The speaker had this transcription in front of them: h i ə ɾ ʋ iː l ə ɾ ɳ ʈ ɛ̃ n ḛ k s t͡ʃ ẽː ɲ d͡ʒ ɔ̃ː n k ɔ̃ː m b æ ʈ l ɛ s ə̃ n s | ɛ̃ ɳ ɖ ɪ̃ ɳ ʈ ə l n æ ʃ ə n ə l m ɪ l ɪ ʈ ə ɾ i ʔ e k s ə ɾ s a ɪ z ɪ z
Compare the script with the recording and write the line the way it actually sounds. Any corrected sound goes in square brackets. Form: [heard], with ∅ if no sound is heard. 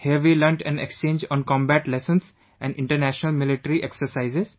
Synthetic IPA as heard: h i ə ɾ ʋ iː l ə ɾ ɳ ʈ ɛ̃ n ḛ k s t͡ʃ ẽː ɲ d͡ʒ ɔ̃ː n k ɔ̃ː m b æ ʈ l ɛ s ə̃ n s | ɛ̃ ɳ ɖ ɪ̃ ɳ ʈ ə [ɾ] n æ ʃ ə n ə l m ɪ l ɪ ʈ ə ɾ i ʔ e k s ə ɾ s a ɪ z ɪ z